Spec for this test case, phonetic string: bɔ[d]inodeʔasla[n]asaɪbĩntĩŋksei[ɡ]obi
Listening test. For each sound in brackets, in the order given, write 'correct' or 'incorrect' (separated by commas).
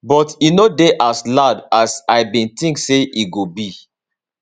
incorrect, incorrect, correct